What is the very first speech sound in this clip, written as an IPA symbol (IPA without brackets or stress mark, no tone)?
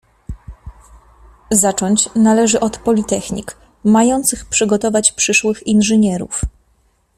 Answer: z